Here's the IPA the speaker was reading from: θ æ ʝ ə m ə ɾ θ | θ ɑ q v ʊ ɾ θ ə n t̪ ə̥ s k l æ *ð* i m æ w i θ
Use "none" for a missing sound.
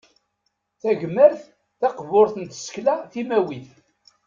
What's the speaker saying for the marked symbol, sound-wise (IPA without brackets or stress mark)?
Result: θ